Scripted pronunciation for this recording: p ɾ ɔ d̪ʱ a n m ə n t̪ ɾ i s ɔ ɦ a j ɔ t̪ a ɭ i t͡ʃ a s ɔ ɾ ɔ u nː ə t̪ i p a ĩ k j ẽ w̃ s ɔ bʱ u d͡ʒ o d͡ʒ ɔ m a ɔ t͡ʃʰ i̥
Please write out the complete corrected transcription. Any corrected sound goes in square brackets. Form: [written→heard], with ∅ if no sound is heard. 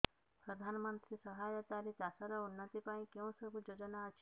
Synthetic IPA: p ɾ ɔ d̪ʱ a n m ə n t̪ ɾ i s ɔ ɦ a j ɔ t̪ a [ɭ→ɾ] i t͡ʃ a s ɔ ɾ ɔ u nː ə t̪ i p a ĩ k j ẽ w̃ s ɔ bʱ u d͡ʒ o d͡ʒ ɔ [m→n] a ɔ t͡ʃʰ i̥